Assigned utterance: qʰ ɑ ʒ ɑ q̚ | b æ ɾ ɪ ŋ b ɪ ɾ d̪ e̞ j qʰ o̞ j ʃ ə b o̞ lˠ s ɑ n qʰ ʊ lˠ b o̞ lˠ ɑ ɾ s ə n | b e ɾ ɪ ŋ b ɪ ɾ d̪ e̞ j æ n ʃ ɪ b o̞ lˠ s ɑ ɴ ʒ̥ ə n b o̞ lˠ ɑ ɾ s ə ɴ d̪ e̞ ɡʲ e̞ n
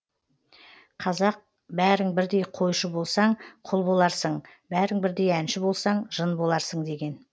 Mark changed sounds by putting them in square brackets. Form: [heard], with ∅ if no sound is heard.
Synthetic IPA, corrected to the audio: qʰ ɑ [z] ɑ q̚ | b æ ɾ ɪ ŋ b ɪ ɾ d̪ e̞ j qʰ o̞ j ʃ ə b o̞ lˠ s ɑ [ɴ] qʰ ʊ lˠ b o̞ lˠ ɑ ɾ s ə [ɴ] | b [æ] ɾ ɪ ŋ b ɪ ɾ d̪ e̞ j æ n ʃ ɪ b o̞ lˠ s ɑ ɴ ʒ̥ ə n b o̞ lˠ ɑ ɾ s ə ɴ d̪ e̞ ɡʲ e̞ n